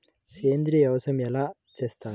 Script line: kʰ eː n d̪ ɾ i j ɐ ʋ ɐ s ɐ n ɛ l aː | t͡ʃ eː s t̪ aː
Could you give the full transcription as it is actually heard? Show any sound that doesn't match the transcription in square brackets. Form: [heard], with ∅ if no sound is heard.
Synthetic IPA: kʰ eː n d̪ ɾ i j ɐ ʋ ɐ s ɐ [m] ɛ l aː | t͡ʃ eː s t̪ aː

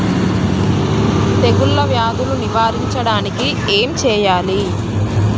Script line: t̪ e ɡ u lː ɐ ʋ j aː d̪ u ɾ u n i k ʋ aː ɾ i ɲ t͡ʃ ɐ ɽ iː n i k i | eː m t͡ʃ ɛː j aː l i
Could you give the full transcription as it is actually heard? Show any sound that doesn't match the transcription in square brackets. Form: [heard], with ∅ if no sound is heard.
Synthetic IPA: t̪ e ɡ u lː ɐ ʋ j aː d̪ u [l] u n i [∅] ʋ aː ɾ i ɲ t͡ʃ ɐ ɽ [aː] n i k i | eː m t͡ʃ ɛː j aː l i

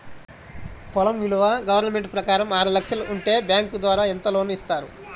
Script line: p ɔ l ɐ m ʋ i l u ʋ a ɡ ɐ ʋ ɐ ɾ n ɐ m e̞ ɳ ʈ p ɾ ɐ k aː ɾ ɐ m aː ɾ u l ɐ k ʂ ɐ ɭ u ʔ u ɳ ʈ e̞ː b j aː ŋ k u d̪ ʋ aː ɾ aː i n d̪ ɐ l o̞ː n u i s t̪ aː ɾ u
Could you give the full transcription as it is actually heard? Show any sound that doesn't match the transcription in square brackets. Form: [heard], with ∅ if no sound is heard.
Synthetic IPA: p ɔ l ɐ m ʋ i l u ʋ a ɡ ɐ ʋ ɐ ɾ n ɐ m e̞ ɳ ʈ p ɾ ɐ k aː ɾ ɐ m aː ɾ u l ɐ k ʂ ɐ [l] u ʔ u ɳ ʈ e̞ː b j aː ŋ k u d̪ ʋ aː ɾ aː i n [t̪] ɐ l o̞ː n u i s t̪ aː ɾ u

